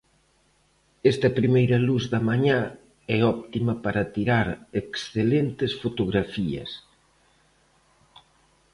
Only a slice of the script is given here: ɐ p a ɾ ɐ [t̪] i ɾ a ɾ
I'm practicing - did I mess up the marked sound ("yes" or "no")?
no